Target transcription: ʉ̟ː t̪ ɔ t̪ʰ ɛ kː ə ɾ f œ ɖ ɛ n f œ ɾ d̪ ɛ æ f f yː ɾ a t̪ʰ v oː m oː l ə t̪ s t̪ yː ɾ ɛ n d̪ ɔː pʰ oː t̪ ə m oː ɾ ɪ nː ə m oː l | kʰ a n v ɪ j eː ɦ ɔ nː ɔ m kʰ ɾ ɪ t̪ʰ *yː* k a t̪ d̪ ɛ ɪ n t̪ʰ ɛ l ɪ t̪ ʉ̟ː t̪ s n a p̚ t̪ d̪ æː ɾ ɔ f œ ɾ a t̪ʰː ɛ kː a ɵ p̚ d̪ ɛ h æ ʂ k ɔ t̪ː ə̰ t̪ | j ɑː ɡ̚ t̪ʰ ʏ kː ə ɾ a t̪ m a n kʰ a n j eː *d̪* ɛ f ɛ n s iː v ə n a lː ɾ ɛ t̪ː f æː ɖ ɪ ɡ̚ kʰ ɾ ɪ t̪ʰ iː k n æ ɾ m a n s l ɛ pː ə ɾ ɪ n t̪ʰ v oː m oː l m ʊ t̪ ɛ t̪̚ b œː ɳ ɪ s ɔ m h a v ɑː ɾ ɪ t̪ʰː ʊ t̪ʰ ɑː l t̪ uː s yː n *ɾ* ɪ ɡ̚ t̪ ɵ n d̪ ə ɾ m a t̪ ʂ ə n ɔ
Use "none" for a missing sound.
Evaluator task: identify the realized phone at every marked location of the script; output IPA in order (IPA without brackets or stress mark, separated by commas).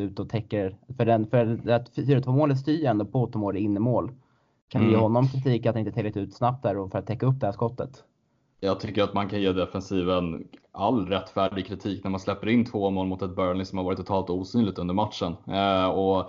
iː, d̪, l